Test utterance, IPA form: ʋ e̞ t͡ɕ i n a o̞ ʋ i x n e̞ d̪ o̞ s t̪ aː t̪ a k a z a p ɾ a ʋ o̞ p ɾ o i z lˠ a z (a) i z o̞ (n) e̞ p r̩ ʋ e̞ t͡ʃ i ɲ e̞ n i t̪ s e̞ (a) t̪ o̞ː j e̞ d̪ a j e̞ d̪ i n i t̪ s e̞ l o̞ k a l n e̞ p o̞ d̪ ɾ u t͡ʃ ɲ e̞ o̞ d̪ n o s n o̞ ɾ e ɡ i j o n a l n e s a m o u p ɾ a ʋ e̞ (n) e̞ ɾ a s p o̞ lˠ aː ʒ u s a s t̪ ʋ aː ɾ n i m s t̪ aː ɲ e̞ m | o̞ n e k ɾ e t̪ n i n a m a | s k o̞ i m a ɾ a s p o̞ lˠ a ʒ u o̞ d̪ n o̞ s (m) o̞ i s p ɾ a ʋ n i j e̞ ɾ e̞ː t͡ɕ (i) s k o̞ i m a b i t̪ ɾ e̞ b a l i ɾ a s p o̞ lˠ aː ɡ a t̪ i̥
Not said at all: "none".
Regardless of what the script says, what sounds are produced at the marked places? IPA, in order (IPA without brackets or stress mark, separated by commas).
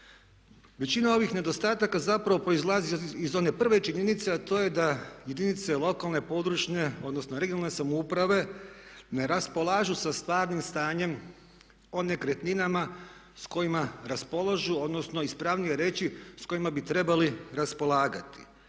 i, n, a, n, n, i